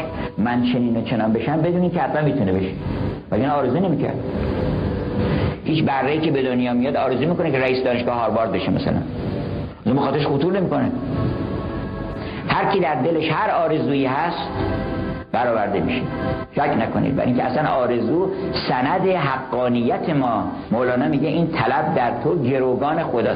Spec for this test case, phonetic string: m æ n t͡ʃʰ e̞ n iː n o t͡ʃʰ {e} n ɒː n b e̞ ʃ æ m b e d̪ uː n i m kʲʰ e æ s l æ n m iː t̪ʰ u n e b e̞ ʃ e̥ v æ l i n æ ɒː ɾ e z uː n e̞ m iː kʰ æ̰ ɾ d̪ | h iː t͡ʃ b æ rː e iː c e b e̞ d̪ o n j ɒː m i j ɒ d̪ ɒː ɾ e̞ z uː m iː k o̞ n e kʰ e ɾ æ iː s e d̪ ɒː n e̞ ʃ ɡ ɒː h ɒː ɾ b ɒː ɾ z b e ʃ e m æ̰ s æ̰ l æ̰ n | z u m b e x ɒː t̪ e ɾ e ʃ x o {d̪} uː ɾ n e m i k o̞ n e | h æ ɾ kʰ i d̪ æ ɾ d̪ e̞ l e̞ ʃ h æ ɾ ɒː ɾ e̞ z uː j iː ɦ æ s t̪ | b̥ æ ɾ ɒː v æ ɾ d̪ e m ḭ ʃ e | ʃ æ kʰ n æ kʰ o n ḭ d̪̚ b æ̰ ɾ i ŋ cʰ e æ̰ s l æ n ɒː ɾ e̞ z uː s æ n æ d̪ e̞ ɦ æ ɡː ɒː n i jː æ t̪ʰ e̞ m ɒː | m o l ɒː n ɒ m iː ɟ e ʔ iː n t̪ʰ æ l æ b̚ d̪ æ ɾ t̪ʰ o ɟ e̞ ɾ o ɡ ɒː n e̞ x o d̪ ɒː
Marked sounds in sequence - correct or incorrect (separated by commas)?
correct, incorrect